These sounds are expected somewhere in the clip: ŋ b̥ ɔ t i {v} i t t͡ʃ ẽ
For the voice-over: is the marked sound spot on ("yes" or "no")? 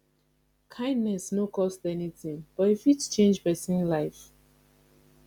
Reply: no